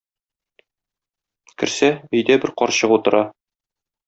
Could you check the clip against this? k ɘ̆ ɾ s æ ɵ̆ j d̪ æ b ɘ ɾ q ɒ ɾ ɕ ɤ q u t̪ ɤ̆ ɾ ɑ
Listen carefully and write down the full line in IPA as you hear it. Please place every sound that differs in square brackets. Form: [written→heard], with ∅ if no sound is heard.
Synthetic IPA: k ɘ̆ ɾ s æ ɵ̆ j d̪ æ b ɘ ɾ q ɒ ɾ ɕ ɤ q u t̪ ɤ̆ ɾ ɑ